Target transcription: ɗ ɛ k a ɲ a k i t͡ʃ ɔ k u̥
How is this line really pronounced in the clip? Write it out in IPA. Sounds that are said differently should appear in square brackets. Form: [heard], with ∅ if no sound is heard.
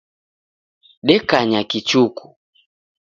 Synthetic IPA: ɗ ɛ k a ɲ a k i t͡ʃ [u] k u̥